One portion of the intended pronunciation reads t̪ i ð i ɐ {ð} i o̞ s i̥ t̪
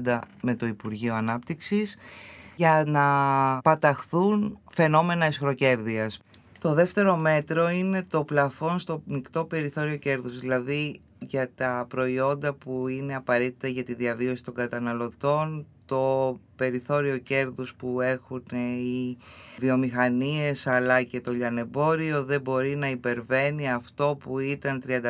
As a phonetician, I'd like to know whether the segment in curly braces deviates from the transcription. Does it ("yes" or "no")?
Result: yes